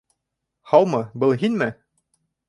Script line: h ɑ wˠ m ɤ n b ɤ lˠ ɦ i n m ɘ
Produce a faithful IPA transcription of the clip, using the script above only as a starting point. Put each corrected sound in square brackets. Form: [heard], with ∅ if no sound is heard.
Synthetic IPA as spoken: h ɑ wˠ m ɤ [∅] b ɤ lˠ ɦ i n m ɘ